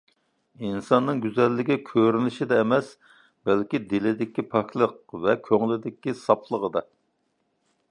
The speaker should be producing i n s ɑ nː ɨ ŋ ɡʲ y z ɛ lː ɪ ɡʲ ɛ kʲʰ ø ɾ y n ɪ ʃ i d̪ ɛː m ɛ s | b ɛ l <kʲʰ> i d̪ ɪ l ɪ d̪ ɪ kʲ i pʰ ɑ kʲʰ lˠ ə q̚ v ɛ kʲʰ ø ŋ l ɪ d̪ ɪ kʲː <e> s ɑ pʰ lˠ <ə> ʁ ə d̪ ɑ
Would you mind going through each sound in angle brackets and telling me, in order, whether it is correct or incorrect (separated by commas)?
incorrect, incorrect, correct